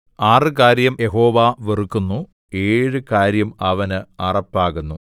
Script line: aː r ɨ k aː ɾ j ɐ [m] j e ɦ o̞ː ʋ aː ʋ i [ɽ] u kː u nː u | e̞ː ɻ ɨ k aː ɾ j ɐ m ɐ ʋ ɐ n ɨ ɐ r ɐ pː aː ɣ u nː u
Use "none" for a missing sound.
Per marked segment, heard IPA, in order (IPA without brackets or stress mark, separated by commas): m, r